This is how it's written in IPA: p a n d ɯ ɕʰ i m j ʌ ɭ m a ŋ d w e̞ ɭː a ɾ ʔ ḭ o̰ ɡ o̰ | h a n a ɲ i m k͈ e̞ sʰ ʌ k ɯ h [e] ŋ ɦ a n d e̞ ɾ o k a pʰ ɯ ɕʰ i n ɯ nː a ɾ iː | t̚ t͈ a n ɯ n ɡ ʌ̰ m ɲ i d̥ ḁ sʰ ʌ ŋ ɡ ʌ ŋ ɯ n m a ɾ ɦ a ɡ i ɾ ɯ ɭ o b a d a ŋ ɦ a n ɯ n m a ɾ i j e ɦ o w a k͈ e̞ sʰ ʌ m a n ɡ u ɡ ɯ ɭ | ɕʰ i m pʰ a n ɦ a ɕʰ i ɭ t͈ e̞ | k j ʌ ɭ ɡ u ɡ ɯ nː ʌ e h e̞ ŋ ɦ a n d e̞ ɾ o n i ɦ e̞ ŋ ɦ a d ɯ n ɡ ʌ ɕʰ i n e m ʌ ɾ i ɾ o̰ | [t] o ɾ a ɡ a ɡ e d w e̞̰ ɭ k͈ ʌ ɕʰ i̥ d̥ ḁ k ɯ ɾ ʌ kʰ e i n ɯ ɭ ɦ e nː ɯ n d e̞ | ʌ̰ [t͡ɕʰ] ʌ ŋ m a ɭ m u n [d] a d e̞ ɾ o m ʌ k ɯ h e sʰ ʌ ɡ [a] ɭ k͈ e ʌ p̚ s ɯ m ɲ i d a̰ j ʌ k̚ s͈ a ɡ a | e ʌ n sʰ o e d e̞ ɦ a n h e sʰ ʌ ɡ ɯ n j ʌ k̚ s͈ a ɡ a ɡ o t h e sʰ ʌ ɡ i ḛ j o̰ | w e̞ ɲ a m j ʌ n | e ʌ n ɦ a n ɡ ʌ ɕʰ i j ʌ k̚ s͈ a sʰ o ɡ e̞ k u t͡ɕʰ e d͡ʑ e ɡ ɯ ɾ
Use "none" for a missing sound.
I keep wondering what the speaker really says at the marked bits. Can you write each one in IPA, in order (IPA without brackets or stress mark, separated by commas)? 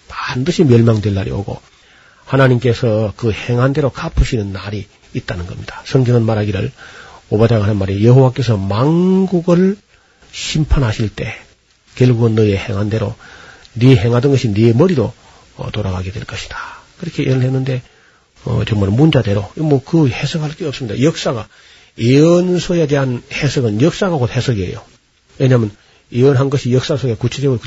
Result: e, t, t͡ɕ, d͡ʑ, a